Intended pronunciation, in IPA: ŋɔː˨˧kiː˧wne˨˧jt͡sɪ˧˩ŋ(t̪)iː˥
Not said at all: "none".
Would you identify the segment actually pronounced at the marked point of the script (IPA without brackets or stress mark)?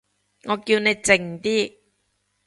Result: t̪